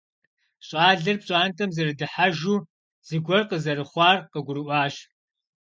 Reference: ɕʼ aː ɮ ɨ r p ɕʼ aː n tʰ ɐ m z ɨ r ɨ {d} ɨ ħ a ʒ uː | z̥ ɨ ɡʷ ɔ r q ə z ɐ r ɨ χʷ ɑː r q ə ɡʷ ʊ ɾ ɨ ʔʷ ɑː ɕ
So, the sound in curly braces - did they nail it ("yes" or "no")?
yes